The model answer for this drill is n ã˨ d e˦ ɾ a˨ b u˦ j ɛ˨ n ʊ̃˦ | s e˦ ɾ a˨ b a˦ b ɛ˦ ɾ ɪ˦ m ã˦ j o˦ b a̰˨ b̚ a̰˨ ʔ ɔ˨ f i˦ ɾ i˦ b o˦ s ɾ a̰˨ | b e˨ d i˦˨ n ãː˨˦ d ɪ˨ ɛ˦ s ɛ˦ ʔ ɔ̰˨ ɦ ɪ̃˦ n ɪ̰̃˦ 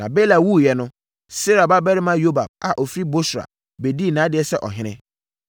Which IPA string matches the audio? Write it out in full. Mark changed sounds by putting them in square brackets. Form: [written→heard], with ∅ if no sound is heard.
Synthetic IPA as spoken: n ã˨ [d→b] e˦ [ɾ→l] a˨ [b→w] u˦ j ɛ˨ n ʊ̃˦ | s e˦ ɾ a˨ b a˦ b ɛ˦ ɾ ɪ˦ m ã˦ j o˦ b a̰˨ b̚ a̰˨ ʔ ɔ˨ f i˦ ɾ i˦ b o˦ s ɾ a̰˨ | b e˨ d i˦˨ n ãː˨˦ d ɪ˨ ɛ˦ s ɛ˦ ʔ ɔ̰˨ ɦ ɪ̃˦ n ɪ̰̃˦